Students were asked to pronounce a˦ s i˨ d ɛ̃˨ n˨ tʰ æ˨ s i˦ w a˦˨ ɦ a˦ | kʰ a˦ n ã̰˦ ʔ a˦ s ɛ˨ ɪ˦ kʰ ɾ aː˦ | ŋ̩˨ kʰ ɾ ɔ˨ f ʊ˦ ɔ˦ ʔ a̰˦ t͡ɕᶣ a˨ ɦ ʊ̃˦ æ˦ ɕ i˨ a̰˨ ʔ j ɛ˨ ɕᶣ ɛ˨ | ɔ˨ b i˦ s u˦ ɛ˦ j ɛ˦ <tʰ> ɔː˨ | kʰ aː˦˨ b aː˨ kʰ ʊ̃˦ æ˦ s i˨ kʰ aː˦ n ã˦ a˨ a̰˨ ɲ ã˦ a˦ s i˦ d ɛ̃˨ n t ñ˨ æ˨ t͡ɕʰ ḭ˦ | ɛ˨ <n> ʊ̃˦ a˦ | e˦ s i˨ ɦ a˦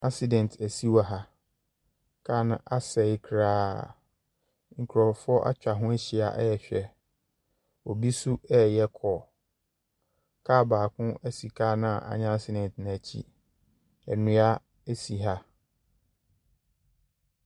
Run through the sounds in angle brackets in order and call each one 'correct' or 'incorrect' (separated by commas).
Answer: incorrect, correct